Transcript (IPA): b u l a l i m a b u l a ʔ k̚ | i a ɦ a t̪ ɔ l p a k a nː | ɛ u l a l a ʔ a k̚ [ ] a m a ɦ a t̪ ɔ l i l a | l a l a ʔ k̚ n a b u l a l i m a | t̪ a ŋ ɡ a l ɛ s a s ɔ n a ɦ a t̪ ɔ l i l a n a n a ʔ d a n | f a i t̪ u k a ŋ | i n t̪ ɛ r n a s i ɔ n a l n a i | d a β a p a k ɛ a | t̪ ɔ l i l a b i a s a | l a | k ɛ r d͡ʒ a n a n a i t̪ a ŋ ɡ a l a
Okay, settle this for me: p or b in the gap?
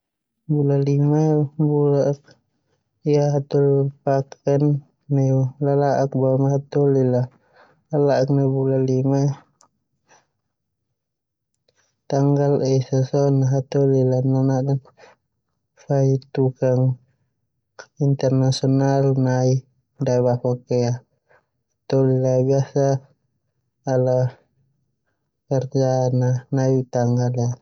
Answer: b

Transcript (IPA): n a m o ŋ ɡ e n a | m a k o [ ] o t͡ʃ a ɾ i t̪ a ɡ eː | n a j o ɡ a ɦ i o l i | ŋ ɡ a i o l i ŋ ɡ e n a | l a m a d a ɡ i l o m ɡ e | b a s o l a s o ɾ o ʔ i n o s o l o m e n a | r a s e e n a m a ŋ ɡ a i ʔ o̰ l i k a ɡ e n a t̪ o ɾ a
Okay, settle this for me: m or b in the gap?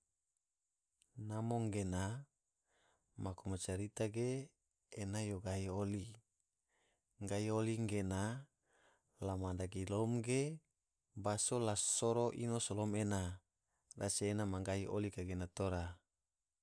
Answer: m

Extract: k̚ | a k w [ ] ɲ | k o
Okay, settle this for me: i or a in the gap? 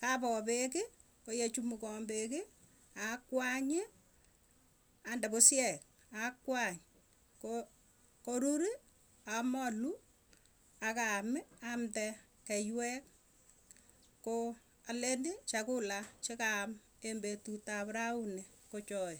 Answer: a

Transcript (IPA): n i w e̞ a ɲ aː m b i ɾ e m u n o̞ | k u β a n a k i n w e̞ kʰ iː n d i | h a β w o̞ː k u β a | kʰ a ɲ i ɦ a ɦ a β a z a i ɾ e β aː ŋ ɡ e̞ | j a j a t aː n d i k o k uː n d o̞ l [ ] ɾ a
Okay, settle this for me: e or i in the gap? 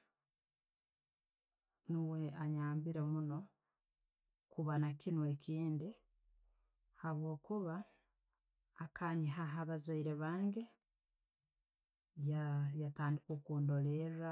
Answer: e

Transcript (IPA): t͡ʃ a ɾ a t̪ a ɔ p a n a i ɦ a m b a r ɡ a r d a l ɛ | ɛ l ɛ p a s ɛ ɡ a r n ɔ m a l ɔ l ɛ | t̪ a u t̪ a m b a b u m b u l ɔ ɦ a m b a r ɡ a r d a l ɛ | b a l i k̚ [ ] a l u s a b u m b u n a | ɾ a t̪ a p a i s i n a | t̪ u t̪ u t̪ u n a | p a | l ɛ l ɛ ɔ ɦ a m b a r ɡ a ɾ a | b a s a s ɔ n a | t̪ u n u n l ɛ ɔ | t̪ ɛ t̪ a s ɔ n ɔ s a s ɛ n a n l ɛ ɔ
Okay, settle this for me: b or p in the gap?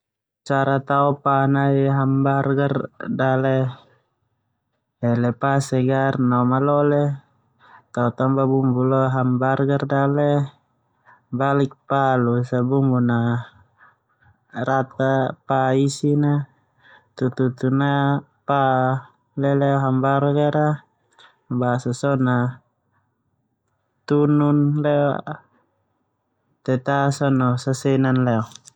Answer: p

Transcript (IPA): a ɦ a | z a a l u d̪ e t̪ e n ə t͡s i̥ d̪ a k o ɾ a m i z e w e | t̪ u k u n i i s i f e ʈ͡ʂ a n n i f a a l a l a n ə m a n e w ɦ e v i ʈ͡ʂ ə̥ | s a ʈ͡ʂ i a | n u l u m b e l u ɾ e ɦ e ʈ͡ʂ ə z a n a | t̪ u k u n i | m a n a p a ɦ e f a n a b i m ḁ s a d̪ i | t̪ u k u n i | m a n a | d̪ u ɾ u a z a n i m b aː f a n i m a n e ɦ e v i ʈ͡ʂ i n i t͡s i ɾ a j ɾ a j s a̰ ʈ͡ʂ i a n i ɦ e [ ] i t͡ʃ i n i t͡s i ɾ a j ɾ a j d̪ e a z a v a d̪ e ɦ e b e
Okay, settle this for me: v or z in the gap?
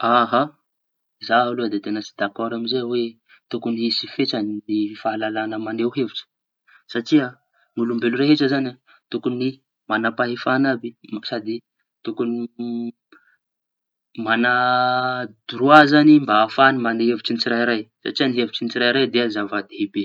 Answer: v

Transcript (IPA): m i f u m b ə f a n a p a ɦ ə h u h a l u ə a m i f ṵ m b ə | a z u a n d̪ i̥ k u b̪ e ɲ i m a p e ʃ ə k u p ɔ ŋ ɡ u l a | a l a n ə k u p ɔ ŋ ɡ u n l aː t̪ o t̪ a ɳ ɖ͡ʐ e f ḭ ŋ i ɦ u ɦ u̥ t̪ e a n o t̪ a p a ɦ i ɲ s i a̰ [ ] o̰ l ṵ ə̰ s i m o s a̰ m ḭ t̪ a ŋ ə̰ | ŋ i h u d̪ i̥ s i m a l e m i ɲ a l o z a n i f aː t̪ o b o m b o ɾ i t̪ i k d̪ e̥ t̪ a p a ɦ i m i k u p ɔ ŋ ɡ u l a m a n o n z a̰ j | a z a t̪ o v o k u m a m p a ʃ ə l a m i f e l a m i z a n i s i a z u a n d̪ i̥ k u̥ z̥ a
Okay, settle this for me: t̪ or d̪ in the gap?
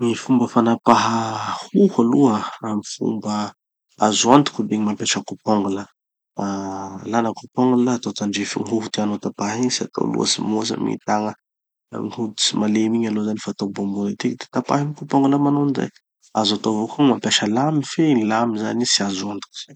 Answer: t̪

